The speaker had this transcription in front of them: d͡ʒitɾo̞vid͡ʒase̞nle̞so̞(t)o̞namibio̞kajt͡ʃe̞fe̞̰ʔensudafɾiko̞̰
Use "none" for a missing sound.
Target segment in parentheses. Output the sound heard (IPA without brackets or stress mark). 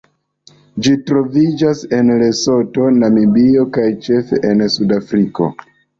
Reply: t